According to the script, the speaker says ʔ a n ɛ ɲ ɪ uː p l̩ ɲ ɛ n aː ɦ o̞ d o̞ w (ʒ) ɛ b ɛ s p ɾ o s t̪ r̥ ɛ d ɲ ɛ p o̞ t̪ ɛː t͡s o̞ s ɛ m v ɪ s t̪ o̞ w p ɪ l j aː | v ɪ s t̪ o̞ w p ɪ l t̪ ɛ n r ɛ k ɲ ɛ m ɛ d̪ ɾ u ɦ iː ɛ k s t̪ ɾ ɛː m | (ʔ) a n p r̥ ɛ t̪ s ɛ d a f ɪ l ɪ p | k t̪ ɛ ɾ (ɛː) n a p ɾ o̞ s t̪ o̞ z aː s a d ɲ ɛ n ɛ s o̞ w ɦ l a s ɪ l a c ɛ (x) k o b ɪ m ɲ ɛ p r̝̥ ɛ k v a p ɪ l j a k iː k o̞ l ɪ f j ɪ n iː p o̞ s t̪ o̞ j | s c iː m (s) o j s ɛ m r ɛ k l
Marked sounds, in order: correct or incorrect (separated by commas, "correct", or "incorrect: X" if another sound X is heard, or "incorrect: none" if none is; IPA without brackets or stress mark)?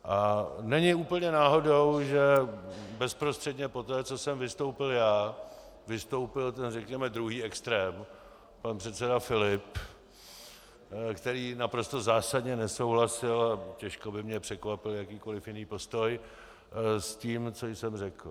correct, incorrect: p, incorrect: iː, incorrect: ʃ, incorrect: t͡s